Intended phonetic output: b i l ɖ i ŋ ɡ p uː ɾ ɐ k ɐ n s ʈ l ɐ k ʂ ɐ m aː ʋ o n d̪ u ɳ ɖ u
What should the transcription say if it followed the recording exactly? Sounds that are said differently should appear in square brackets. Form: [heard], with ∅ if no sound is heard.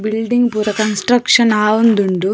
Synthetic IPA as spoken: b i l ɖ i ŋ ɡ p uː ɾ ɐ k ɐ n s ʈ [ɾ] ɐ k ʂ ɐ [n] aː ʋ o n d̪ u ɳ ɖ u